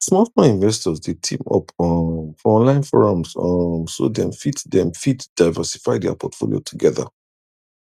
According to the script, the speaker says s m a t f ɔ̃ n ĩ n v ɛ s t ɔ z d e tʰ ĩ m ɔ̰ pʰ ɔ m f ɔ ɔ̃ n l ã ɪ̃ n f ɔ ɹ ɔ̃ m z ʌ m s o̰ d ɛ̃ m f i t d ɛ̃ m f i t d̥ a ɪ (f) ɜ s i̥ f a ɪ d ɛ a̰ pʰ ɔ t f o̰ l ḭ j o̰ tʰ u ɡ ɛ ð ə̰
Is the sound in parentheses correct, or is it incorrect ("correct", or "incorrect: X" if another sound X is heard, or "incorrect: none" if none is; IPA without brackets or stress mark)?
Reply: incorrect: v